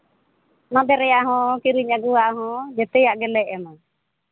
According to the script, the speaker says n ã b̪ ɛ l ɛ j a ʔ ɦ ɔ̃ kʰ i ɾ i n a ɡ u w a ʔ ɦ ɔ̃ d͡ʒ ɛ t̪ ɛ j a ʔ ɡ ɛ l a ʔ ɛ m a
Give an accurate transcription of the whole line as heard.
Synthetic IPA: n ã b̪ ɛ ɾ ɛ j a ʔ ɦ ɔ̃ k i ɾ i ɲ a ɡ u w a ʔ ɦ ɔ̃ d͡ʒ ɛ t̪ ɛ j a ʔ ɡ ɛ l ɛ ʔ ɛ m a